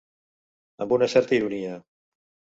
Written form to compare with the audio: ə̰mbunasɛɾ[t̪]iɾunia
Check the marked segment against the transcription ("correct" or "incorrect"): correct